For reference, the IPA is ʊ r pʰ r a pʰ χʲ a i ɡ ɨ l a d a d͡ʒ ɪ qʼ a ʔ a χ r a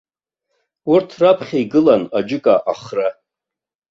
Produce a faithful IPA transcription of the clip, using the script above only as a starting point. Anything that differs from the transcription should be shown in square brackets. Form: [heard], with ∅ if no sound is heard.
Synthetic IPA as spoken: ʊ r [tʰ] r a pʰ χʲ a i ɡ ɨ l a [n] a d͡ʒ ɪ [kʼ] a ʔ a χ r a